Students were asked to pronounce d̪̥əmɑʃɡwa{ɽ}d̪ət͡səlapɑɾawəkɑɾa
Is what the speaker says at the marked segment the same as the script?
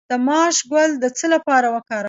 no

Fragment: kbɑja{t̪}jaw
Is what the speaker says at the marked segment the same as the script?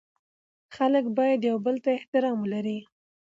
no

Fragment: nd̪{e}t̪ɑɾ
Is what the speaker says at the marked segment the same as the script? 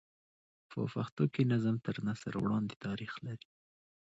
yes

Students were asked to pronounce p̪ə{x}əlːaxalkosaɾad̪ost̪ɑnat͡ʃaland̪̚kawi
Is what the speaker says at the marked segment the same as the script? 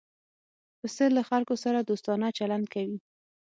no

